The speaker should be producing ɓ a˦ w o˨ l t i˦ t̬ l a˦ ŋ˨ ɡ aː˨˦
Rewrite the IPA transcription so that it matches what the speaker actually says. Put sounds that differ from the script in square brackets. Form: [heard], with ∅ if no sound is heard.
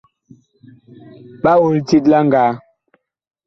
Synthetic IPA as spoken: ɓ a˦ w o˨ l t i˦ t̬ l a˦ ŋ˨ ɡ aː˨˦